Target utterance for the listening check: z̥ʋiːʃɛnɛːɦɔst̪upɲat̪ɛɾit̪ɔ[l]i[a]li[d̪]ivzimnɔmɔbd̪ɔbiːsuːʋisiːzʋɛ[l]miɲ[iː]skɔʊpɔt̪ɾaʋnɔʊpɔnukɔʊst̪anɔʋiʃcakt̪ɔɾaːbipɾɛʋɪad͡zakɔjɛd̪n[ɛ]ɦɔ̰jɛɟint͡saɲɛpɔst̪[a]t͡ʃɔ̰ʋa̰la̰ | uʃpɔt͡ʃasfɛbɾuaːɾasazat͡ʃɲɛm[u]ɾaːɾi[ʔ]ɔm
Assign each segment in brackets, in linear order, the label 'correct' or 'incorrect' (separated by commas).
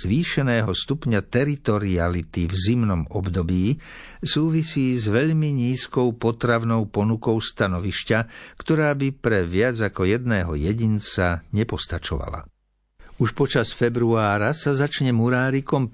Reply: incorrect, correct, incorrect, incorrect, correct, incorrect, correct, correct, incorrect